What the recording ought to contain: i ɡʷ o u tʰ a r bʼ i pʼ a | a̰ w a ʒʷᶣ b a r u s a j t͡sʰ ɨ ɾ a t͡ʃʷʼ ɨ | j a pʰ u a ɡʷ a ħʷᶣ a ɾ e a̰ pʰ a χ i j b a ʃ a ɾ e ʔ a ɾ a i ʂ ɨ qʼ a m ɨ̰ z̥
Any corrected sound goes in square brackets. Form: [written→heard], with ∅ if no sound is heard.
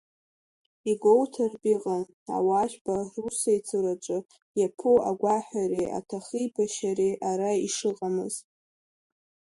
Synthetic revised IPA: i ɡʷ o [u→w] tʰ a r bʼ i [pʼ→qʼ] a | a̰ w a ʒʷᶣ b a r u s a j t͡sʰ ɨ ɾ a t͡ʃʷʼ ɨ | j a pʰ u a ɡʷ a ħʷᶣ a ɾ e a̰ [pʰ→tʰ] a χ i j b a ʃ a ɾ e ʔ a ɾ a i ʂ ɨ qʼ a m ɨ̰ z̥